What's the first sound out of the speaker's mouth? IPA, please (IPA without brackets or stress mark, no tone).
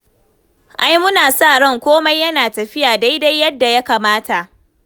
ʔ